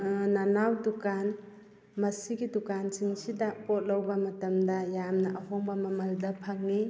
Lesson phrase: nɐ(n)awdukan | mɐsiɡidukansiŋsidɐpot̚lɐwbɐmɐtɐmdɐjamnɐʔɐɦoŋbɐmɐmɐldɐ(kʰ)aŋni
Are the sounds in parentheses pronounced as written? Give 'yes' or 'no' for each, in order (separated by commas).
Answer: yes, no